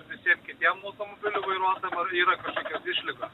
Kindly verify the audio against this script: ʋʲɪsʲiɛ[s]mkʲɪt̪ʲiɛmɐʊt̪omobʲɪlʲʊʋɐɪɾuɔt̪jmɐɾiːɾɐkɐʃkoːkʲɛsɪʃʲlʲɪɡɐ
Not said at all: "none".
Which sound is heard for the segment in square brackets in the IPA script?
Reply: none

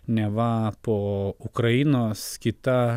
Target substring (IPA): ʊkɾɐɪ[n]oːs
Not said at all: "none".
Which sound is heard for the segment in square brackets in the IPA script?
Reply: n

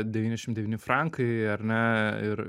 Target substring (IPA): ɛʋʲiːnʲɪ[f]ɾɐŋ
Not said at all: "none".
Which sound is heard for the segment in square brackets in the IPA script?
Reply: f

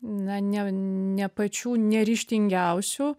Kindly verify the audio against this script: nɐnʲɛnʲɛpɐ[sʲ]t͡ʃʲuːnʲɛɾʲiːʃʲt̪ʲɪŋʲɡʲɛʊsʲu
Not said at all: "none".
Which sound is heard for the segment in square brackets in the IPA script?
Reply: none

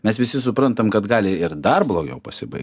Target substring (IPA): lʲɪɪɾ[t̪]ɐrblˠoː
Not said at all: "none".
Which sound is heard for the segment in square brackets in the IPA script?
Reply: d̪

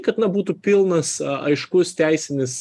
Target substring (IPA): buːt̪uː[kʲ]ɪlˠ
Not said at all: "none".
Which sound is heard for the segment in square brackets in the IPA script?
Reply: pʲ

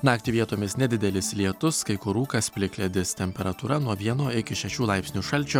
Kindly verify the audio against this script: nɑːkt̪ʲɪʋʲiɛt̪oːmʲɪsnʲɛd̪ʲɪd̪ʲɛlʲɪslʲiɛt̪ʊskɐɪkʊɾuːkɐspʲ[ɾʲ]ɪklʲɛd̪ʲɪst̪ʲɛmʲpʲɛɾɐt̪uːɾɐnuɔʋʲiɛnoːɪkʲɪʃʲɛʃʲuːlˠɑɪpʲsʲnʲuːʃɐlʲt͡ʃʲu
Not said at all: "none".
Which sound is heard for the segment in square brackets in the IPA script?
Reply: lʲ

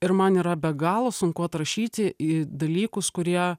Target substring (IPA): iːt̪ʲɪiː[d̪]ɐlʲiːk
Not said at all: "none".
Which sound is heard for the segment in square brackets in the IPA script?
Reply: d̪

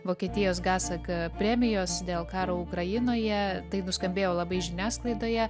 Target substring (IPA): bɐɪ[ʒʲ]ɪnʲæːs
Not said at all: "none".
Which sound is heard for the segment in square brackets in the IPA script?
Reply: ʒʲ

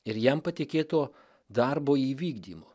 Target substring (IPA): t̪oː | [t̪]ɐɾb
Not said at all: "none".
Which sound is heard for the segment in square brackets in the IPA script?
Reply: d̪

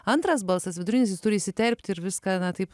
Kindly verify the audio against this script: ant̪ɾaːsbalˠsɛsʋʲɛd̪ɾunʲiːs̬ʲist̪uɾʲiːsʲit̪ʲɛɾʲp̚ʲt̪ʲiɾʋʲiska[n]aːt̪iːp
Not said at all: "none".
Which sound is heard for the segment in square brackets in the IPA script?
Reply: n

